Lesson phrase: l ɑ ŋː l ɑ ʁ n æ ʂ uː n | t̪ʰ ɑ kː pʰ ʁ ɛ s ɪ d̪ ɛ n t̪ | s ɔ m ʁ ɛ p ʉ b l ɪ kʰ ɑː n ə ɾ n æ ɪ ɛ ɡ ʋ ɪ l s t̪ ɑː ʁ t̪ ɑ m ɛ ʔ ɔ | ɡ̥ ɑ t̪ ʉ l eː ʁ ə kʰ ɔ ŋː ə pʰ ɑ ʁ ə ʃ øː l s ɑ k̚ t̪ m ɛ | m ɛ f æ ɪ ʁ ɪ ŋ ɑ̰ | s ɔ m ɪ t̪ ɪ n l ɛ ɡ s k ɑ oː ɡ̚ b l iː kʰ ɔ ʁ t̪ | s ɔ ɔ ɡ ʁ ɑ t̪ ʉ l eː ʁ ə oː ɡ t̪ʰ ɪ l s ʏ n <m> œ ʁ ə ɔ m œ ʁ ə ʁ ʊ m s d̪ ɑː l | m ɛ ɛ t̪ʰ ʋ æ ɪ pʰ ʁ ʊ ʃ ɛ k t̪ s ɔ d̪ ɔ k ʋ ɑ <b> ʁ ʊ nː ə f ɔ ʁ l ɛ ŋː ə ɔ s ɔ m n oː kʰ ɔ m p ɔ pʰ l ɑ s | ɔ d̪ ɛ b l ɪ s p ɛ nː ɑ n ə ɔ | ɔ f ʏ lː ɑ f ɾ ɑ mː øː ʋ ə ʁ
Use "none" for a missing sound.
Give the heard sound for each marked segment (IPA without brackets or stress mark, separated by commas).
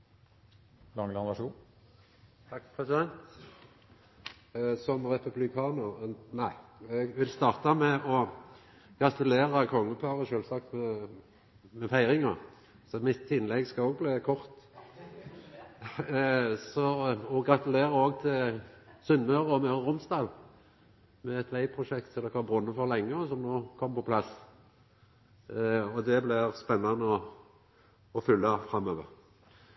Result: m, b